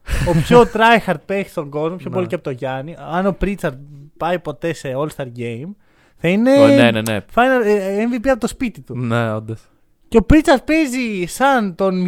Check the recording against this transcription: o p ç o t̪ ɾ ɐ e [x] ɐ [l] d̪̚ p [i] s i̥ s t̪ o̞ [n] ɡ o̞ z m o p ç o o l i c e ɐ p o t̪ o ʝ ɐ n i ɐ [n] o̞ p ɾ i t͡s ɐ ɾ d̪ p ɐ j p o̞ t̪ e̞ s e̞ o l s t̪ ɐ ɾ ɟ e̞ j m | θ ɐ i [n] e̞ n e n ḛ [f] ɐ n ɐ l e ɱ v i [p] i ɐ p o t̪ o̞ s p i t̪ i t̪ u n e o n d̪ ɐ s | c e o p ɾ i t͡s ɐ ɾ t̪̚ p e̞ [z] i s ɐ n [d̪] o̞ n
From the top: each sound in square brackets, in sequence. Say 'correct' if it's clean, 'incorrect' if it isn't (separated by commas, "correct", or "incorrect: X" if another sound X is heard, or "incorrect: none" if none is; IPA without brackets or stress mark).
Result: correct, incorrect: ɾ, incorrect: e, incorrect: ŋ, correct, correct, correct, correct, correct, incorrect: t̪